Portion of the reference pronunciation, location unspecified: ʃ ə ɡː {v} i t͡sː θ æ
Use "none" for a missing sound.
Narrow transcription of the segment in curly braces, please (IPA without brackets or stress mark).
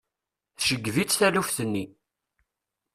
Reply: v